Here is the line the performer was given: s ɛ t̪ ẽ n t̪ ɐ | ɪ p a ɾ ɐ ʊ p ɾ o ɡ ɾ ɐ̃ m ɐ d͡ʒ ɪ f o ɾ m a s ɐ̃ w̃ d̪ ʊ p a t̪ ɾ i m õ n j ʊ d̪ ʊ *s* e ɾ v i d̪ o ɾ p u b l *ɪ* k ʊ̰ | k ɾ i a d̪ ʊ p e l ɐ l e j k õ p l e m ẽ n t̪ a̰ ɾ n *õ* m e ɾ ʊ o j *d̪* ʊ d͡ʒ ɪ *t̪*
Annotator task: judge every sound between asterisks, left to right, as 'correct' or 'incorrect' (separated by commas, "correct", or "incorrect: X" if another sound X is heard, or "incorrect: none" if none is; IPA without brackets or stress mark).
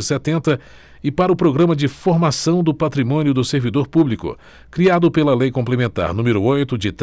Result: correct, incorrect: i, incorrect: ũ, incorrect: t̪, correct